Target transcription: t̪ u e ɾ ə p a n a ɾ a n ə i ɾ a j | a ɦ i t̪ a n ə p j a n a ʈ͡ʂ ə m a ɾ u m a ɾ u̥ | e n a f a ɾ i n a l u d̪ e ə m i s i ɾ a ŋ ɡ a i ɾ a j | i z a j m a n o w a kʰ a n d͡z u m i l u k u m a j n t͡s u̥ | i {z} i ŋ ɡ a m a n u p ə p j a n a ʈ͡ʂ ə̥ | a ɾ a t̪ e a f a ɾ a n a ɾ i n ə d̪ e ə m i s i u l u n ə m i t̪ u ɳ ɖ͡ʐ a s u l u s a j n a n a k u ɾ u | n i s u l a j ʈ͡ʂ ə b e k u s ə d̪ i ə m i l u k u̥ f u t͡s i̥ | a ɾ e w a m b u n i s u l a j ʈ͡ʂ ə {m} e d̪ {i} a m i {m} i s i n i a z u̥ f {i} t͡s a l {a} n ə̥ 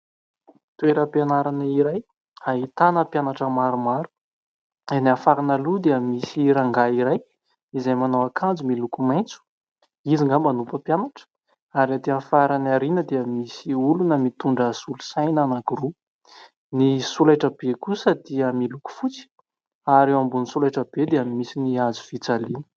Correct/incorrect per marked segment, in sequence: correct, incorrect: b, incorrect: e, correct, correct, incorrect: i

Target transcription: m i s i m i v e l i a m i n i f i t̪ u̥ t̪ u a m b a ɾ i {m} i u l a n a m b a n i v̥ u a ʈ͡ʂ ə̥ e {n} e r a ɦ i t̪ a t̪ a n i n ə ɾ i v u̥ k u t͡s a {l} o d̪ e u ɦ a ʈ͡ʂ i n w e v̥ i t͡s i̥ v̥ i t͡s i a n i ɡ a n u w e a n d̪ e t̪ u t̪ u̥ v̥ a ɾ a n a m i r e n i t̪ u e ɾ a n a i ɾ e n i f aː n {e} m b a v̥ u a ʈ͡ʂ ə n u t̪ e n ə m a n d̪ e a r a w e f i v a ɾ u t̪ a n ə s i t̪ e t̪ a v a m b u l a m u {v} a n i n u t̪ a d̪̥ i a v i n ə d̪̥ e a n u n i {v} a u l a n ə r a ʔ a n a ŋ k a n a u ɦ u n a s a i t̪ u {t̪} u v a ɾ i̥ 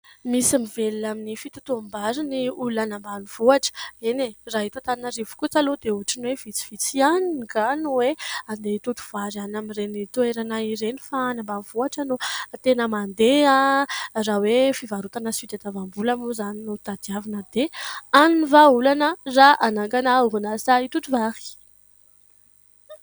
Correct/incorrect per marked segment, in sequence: incorrect: n, correct, correct, incorrect: a, incorrect: z, correct, correct

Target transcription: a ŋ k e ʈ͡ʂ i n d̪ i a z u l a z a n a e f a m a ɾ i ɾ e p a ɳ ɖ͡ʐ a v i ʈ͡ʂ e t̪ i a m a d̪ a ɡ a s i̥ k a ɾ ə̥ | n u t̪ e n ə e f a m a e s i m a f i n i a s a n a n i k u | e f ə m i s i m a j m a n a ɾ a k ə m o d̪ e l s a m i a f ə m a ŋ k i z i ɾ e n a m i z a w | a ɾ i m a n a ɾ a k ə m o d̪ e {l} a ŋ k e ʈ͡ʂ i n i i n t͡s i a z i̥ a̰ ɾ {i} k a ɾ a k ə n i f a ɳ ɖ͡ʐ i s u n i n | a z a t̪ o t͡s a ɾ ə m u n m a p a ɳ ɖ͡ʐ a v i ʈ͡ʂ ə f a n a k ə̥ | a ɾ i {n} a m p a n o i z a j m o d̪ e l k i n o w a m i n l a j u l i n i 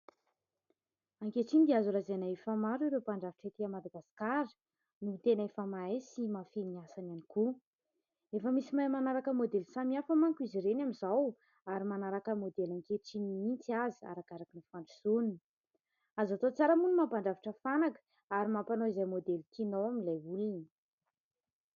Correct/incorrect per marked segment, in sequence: correct, incorrect: a, incorrect: m

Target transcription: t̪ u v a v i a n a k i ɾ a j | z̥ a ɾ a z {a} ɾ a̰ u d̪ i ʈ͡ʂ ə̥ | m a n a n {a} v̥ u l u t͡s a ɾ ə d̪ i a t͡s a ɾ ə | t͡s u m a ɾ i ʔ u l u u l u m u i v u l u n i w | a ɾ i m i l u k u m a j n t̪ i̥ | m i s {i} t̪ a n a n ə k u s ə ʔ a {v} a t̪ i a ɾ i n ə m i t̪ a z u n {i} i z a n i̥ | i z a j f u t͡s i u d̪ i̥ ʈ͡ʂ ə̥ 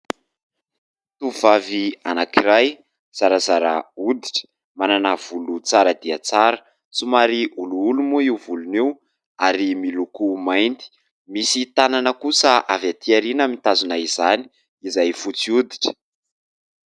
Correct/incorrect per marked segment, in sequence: correct, correct, correct, correct, incorrect: a

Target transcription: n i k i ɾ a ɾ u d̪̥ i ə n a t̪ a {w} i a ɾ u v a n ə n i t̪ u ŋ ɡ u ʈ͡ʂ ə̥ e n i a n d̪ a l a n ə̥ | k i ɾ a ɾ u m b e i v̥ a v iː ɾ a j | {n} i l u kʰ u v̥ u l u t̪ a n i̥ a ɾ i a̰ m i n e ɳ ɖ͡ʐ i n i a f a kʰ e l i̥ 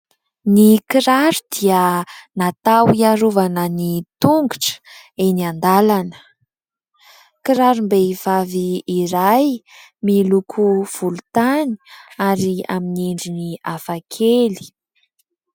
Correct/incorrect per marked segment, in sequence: correct, incorrect: m

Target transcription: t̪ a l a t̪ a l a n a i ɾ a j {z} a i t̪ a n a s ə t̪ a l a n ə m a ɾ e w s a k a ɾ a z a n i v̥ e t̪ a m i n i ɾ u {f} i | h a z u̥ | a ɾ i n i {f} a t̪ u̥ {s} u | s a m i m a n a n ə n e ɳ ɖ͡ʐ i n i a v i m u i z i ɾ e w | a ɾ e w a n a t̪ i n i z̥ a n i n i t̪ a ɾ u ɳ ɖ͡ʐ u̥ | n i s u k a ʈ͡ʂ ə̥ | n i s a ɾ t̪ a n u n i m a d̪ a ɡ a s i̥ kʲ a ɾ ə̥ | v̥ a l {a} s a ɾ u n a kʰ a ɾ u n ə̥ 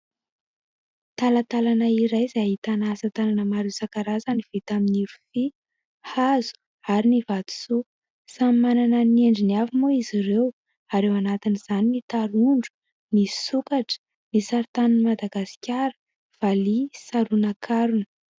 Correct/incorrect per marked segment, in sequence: correct, correct, incorrect: v, correct, incorrect: i

